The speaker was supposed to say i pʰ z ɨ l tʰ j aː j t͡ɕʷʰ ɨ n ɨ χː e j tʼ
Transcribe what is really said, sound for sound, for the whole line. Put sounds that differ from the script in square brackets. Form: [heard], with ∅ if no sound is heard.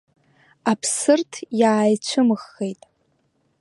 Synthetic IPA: [a] pʰ [s] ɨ [r] tʰ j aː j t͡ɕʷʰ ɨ [m] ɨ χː e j tʼ